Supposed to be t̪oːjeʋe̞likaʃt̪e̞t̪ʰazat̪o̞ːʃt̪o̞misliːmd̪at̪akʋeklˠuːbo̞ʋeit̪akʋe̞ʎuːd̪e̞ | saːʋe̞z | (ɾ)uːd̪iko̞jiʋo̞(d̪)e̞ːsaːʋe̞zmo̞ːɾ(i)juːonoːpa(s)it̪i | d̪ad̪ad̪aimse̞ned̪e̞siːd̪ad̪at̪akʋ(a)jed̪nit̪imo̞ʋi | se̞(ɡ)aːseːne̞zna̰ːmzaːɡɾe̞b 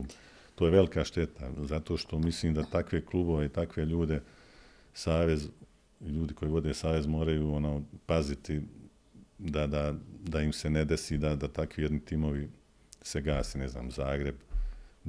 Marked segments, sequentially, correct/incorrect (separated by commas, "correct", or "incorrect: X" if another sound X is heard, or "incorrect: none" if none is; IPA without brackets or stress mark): incorrect: ʎ, correct, incorrect: a, incorrect: z, incorrect: i, correct